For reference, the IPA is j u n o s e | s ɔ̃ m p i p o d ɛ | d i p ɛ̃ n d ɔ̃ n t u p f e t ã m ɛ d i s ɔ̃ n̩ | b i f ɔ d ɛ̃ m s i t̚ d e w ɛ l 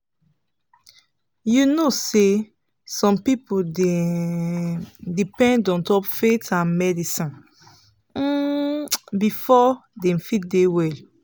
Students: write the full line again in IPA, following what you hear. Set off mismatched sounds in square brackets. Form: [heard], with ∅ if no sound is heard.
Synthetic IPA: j u n o s e | s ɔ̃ m p i p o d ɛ | d i p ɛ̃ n d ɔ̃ n t [ɔ] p f e t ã m ɛ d i s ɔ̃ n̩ | b i f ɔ d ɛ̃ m [f] i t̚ d e w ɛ l